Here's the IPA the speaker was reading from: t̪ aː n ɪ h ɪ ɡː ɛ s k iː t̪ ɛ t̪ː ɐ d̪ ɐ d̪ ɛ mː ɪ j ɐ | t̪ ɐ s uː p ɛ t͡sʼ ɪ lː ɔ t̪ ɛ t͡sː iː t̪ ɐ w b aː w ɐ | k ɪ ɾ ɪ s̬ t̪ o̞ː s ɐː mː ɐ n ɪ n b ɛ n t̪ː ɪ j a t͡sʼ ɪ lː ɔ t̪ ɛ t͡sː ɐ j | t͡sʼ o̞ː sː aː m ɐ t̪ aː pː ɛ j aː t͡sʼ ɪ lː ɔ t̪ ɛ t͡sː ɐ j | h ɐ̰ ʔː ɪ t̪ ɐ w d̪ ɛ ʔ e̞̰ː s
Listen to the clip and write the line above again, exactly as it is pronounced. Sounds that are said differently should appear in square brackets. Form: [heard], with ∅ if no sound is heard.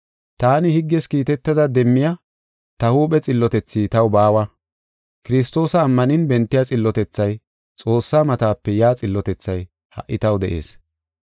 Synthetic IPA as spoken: t̪ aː n ɪ h ɪ ɡː ɛ s k iː t̪ ɛ t̪ː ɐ d̪ ɐ d̪ ɛ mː ɪ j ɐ | t̪ ɐ [h] uː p ɛ t͡sʼ ɪ lː ɔ t̪ ɛ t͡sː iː t̪ ɐ w b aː w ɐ | k ɪ ɾ ɪ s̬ t̪ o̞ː s ɐː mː ɐ n ɪ n b ɛ n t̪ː ɪ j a t͡sʼ ɪ lː ɔ t̪ ɛ t͡sː ɐ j | t͡sʼ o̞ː sː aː m ɐ t̪ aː pː ɛ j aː t͡sʼ ɪ lː ɔ t̪ ɛ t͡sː ɐ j | h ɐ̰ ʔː ɪ t̪ ɐ w d̪ ɛ ʔ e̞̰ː s